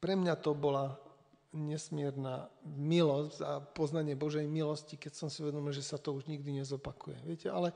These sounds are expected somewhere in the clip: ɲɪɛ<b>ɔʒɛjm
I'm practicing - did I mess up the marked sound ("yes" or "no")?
no